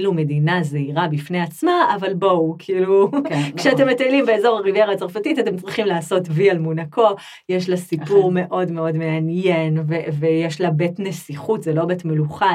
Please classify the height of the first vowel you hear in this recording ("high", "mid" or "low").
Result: high